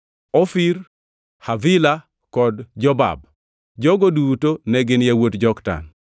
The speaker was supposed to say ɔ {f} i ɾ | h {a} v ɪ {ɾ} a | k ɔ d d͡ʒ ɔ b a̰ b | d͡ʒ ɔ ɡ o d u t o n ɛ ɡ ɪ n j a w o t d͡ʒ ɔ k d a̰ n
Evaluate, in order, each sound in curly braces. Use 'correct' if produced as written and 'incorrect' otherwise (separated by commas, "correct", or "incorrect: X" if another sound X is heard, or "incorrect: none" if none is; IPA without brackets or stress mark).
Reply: correct, correct, incorrect: l